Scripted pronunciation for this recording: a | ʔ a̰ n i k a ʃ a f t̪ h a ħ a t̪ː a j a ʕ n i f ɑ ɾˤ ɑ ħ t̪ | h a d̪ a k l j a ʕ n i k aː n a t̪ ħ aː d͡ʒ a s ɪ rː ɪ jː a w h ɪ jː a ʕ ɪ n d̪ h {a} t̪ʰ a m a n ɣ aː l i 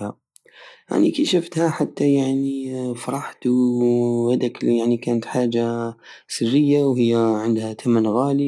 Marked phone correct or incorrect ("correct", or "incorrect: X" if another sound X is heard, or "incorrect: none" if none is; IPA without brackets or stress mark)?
correct